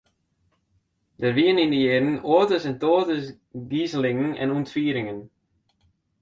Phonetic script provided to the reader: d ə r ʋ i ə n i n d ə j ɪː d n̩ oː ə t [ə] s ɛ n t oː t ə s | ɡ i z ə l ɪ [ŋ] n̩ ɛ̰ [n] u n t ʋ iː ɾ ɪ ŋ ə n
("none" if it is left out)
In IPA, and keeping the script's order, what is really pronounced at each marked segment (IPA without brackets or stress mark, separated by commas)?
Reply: ə, ŋ, n